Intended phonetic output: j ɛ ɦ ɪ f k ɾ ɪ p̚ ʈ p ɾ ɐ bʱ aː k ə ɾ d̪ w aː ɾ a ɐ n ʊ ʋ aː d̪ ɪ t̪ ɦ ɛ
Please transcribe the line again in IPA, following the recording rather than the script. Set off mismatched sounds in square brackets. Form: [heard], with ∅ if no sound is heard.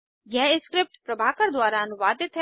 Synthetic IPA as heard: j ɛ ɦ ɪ [s] k ɾ ɪ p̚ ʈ p ɾ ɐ bʱ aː k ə ɾ d̪ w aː ɾ a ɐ n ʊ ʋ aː d̪ ɪ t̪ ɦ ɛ

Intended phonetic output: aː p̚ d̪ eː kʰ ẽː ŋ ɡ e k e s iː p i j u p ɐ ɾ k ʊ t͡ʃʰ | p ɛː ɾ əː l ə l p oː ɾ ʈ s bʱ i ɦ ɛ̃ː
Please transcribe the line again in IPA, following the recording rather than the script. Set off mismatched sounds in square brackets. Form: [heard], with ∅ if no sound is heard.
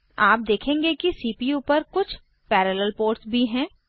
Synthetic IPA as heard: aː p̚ d̪ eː kʰ ẽː ŋ ɡ e k [i] s iː p i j u p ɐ ɾ k ʊ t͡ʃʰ | p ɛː ɾ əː l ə l p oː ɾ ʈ s bʱ i ɦ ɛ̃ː

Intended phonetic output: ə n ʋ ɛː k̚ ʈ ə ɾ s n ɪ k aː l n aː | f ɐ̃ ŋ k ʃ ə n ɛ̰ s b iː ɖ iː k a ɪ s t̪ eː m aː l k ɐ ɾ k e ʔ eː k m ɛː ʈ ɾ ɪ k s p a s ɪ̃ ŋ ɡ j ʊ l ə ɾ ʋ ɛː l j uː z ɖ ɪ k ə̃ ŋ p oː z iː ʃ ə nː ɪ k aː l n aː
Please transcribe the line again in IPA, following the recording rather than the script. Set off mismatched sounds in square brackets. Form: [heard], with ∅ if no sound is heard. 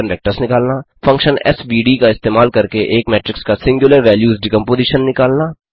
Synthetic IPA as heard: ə n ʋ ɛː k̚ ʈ ə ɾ s n ɪ k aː l n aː | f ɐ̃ ŋ k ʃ ə n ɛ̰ s b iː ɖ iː k a ɪ s t̪ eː m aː l k ɐ ɾ k e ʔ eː k m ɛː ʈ ɾ ɪ k s [k] a s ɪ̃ ŋ ɡ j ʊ l ə ɾ ʋ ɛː l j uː z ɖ ɪ k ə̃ [m] p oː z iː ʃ ə nː ɪ k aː l n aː

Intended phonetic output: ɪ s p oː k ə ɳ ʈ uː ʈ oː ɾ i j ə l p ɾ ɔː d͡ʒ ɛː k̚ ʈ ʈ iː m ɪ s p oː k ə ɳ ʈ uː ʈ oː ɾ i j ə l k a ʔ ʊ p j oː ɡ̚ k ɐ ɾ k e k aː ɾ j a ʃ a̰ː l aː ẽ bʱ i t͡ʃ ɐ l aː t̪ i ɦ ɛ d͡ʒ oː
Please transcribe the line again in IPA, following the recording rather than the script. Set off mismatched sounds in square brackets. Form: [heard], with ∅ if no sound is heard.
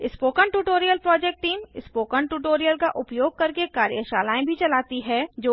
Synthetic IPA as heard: ɪ s p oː k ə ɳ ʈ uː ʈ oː ɾ i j ə l p ɾ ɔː d͡ʒ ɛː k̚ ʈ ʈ iː m ɪ s p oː k ə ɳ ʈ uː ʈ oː ɾ i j ə l k a ʔ ʊ p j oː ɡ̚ k ɐ ɾ k e k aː ɾ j [ə] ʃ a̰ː l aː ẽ bʱ i t͡ʃ ɐ l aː t̪ i ɦ ɛ d͡ʒ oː

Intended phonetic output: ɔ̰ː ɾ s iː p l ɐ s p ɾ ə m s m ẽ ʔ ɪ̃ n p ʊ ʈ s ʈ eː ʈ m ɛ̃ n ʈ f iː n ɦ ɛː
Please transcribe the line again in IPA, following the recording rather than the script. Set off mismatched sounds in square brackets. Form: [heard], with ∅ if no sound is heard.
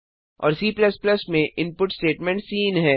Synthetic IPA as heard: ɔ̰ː ɾ s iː p l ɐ s p [l] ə [∅] s m ẽ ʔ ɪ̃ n p ʊ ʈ s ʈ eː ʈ m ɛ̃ [ɳ] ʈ [s] iː n ɦ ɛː

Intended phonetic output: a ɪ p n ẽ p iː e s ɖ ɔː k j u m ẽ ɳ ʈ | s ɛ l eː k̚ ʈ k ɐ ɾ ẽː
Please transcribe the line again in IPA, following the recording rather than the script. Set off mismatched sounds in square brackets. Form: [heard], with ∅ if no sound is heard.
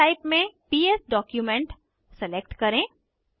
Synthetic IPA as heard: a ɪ p [m] ẽ p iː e s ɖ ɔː k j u m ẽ ɳ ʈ | s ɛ l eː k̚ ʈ k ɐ ɾ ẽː

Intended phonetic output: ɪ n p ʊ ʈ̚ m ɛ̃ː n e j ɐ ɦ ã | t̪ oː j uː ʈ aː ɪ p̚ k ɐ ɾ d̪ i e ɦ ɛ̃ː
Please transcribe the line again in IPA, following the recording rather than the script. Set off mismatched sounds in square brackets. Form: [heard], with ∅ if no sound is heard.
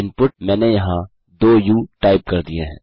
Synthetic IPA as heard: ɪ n p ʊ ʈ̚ m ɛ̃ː n e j ɐ ɦ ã | [d̪] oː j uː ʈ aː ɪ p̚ k ɐ ɾ d̪ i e ɦ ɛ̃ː

